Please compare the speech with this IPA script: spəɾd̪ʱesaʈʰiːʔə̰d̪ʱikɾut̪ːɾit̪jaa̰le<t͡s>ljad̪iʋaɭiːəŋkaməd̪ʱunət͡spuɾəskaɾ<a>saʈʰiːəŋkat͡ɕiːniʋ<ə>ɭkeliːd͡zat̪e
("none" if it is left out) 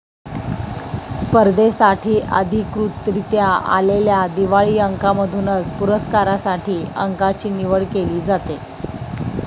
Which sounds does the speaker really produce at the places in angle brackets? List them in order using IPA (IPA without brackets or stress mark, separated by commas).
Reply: none, a, ə